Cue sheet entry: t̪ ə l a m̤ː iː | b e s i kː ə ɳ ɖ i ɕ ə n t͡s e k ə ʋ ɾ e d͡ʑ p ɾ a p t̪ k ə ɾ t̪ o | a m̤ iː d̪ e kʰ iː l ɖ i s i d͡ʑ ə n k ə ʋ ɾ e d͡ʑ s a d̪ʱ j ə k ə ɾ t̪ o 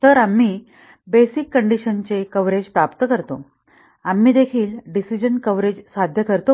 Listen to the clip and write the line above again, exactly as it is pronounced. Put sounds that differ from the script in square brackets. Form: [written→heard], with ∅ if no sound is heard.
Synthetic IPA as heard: t̪ ə [l→ɾ] a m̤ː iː | b e s i kː ə ɳ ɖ i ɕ ə n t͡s e k ə ʋ ɾ e d͡ʑ p ɾ a p t̪ k ə ɾ t̪ o | a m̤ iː d̪ e kʰ iː l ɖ i s i d͡ʑ ə n k ə ʋ ɾ e d͡ʑ s a d̪ʱ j ə k ə ɾ t̪ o